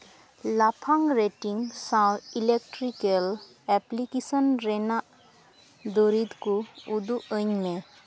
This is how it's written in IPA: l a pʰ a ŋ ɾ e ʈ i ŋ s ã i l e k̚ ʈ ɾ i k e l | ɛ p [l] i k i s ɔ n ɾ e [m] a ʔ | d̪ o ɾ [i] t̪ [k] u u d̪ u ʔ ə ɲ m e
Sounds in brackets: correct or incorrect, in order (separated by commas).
correct, incorrect, correct, correct